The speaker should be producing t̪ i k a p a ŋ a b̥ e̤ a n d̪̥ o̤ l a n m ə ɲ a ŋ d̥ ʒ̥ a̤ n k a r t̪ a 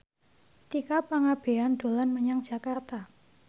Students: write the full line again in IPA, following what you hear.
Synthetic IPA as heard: t̪ i k a p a ŋ a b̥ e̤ a n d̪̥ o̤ l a n m ə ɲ a ŋ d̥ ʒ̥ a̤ k a r t̪ a